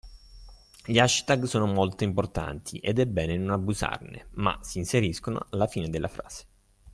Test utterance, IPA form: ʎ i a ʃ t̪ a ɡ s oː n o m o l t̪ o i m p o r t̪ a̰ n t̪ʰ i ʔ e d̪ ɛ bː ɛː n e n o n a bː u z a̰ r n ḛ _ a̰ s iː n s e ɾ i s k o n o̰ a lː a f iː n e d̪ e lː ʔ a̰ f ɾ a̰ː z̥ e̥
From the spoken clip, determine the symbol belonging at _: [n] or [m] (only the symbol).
m